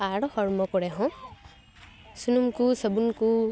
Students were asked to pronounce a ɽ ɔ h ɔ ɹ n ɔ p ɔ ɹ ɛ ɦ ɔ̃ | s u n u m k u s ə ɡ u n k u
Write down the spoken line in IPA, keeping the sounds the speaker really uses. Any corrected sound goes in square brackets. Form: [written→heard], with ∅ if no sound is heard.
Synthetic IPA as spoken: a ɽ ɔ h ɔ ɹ [n→m] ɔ [p→k] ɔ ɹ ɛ ɦ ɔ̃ | s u n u m k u s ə [ɡ→b] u n k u